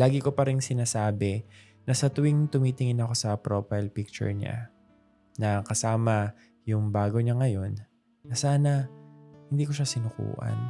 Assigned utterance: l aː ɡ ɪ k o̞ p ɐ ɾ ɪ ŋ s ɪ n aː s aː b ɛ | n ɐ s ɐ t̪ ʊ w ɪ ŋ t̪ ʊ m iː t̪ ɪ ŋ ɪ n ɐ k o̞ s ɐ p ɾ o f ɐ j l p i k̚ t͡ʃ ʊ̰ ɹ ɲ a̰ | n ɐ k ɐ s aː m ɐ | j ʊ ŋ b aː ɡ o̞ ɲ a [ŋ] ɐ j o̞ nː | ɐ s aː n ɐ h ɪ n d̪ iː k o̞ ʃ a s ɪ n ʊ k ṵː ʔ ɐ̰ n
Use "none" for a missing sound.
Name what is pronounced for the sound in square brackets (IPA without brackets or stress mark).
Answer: ŋ